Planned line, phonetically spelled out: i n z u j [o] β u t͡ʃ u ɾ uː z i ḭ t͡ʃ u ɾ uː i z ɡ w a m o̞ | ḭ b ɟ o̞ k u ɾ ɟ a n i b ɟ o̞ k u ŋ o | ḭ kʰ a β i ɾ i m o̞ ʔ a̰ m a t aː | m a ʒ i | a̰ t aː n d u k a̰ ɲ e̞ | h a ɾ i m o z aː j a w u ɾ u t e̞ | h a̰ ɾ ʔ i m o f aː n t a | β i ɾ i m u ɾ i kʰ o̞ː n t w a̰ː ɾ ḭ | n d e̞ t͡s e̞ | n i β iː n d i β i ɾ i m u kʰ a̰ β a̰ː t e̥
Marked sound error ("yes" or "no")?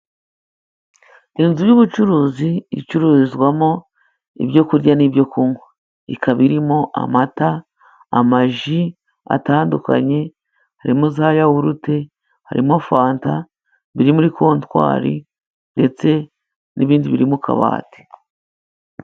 yes